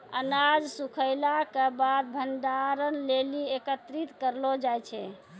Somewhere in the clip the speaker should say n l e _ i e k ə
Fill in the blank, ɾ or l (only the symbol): l